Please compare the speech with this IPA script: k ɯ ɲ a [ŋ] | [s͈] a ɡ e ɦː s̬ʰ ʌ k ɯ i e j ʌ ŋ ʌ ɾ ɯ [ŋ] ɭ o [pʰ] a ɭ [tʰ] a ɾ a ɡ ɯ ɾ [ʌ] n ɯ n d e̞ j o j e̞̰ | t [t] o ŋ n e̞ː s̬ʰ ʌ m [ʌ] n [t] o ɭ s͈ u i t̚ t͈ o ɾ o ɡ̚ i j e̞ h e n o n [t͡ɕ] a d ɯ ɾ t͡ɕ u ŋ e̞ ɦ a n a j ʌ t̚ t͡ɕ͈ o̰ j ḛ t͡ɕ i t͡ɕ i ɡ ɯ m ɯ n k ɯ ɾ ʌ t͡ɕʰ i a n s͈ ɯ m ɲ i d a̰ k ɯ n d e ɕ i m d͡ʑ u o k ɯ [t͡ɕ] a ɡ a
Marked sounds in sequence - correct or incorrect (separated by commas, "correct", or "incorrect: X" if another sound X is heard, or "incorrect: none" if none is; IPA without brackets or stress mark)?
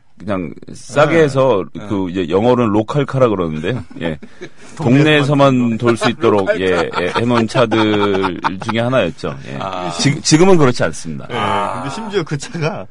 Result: correct, correct, incorrect: n, incorrect: kʰ, incorrect: kʰ, correct, correct, incorrect: a, correct, incorrect: t͡ɕʰ, incorrect: t͡ɕʰ